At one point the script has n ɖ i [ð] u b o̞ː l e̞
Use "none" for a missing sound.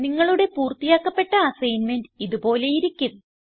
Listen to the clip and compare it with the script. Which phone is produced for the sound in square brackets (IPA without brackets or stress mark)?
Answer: ð